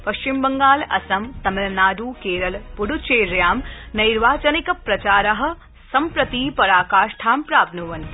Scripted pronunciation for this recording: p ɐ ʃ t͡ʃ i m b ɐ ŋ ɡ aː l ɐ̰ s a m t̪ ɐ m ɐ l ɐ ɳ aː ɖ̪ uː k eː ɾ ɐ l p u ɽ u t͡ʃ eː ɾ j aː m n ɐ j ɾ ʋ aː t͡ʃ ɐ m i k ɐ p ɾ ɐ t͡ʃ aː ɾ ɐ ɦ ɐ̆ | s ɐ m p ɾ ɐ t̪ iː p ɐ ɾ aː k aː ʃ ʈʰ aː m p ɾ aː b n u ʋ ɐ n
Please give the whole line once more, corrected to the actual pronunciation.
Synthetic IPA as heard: p ɐ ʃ t͡ʃ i m b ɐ ŋ ɡ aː l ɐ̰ s ɐ m t̪ ɐ m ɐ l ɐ n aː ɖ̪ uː k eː ɾ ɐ l p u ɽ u t͡ʃ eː ɾ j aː m n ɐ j ɾ ʋ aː t͡ʃ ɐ n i k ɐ p ɾ ɐ t͡ʃ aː ɾ ɐ ɦ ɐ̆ | s ɐ m p ɾ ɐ t̪ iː p ɐ ɾ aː k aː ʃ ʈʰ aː m p ɾ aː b n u ʋ ɐ n